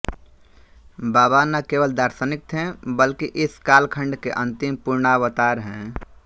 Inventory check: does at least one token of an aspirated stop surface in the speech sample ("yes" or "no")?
yes